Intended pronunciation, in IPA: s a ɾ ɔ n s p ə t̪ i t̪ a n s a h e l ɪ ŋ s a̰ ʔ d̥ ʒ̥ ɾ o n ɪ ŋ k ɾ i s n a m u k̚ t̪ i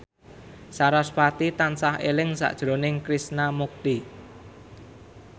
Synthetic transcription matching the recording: s a ɾ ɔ s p a t̪ i t̪ a n s a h e l ɪ ŋ s a̰ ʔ d̥ ʒ̥ ɾ o n ɪ ŋ k ɾ i s n a m u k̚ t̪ i